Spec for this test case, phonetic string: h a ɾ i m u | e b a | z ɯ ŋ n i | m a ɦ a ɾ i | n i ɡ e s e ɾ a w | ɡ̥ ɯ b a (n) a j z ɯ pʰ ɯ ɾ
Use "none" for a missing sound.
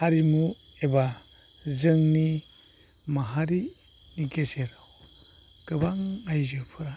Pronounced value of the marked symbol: ŋ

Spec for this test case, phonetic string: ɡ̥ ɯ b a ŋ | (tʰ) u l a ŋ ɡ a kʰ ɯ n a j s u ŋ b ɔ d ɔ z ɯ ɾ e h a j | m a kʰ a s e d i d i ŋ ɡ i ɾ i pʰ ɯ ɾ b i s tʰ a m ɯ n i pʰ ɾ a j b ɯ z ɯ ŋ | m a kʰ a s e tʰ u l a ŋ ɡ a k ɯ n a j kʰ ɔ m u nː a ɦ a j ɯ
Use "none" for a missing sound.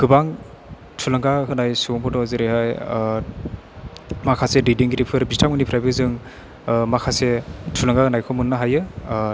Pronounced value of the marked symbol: tʰ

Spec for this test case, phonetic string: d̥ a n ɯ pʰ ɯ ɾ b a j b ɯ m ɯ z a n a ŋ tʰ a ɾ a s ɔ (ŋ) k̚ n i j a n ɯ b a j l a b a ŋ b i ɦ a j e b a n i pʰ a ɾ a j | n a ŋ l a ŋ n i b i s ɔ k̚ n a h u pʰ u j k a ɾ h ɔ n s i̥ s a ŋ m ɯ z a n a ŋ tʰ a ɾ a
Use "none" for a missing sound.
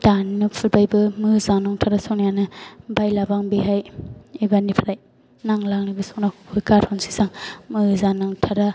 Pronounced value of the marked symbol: none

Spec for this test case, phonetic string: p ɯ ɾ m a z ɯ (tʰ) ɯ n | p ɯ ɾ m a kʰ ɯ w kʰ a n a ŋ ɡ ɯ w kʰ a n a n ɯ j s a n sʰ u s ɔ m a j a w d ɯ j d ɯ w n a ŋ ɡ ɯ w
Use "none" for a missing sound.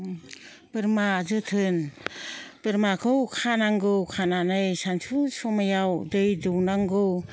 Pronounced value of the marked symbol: tʰ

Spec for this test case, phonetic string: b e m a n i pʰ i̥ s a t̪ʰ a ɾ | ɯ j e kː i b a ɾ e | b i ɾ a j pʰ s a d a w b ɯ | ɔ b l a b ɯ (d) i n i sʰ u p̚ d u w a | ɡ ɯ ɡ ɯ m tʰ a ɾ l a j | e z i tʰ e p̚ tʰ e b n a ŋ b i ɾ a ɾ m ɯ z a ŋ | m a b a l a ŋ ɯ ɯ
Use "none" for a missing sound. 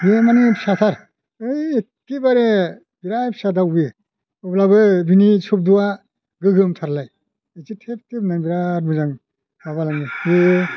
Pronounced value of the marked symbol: b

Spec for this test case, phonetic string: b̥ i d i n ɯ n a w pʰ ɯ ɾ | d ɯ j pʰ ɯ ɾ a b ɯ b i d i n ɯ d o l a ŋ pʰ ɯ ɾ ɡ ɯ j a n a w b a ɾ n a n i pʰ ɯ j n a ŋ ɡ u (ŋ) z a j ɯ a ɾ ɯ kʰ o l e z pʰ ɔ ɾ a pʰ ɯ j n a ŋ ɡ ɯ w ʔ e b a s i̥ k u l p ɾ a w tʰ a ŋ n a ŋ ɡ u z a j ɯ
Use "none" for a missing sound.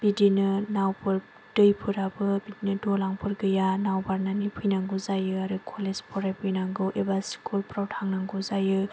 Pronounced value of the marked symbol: none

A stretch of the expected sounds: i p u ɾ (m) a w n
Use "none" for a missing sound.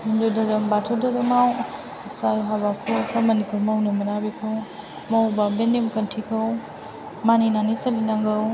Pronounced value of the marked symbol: m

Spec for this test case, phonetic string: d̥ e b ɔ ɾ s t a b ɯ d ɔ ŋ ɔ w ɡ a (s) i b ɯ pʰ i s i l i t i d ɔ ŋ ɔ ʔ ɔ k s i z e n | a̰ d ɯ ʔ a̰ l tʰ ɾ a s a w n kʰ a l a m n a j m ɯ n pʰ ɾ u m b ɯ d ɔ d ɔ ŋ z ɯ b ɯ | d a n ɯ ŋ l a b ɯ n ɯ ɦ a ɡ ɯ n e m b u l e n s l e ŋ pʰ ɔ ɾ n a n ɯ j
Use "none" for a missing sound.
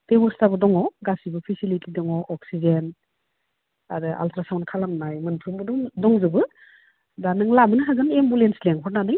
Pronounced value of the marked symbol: s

